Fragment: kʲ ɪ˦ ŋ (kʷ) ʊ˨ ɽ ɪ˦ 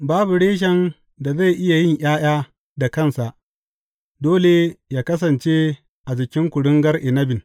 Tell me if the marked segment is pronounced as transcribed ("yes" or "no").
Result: yes